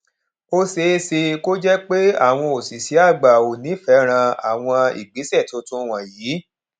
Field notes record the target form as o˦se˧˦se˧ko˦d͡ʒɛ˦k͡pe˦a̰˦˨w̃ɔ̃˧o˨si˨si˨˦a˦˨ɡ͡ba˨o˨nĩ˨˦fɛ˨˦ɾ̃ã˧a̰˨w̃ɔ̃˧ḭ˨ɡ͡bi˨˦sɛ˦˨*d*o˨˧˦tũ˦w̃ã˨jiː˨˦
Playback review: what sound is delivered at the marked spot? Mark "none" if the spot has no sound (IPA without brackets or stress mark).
t